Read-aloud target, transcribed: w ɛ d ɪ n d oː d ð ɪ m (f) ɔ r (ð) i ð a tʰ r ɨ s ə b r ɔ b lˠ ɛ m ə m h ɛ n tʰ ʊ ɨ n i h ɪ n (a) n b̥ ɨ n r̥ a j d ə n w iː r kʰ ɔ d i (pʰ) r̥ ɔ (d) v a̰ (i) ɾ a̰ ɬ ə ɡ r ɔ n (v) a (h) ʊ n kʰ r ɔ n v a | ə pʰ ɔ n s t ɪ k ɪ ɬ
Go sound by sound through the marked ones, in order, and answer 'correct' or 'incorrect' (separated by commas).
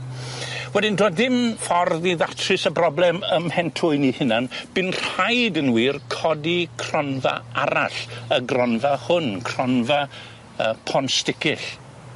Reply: correct, correct, correct, incorrect, incorrect, incorrect, correct, correct